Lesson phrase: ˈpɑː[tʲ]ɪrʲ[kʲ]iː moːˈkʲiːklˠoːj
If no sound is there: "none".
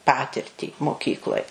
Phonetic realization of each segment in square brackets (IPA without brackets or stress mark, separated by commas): tʲ, tʲ